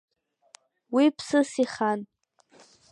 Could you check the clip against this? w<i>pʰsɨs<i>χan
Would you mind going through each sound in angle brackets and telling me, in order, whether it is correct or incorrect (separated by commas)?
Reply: correct, correct